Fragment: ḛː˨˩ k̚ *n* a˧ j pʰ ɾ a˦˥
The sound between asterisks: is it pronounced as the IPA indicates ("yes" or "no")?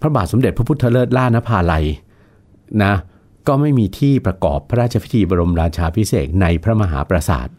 yes